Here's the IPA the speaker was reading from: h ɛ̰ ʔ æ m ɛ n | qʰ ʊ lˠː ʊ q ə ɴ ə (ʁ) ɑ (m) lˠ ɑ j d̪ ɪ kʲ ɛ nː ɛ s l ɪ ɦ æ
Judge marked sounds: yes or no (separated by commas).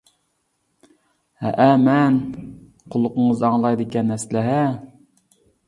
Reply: no, no